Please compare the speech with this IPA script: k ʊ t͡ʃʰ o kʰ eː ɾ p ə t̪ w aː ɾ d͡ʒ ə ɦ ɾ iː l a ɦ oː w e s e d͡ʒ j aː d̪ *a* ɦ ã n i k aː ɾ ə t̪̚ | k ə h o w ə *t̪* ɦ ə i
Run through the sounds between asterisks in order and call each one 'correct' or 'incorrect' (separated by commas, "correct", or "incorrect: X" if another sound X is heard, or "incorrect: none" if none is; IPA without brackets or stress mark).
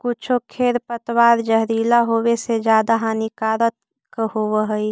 correct, incorrect: none